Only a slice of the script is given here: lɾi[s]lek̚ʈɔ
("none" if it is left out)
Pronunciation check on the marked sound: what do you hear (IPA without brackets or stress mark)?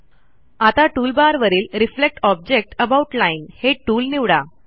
f